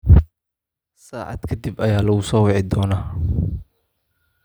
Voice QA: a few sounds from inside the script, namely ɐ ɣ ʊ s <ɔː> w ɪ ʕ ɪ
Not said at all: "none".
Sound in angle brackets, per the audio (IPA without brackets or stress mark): ɔː